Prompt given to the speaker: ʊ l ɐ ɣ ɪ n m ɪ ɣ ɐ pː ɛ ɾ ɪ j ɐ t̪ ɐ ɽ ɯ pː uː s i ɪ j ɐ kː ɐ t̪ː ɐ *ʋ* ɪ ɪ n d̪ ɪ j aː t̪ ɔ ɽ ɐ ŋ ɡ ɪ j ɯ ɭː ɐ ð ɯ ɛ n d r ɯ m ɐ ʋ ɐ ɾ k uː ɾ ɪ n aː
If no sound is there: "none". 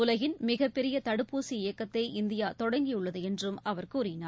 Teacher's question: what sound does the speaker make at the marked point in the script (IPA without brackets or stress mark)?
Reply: none